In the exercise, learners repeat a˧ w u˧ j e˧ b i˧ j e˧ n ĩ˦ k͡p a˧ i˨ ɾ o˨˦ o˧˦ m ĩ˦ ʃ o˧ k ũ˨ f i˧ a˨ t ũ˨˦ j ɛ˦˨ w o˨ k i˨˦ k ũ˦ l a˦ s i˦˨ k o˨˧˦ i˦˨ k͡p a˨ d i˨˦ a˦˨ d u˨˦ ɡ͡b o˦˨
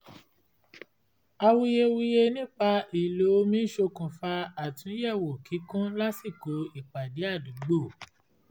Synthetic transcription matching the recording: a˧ w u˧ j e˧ w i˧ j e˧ n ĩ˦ k͡p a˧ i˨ l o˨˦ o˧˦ m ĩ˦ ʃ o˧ k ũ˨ f a˧ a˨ t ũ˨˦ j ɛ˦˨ w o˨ k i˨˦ k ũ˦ l a˦ s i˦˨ k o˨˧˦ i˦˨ k͡p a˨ d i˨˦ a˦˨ d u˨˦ ɡ͡b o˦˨